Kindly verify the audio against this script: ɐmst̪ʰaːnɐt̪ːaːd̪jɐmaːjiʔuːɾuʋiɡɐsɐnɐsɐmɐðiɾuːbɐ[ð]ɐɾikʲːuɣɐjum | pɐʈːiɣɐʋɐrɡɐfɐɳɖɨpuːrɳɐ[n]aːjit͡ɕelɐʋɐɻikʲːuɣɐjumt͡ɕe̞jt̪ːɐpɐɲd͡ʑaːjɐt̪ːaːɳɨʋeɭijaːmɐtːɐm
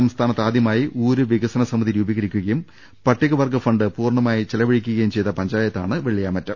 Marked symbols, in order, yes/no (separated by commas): no, no